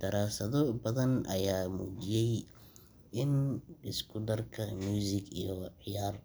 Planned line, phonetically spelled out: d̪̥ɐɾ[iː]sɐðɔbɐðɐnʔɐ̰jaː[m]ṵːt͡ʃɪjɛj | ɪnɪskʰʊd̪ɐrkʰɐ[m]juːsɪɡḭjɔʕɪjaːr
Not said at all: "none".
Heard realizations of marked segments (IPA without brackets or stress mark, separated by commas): aː, m, m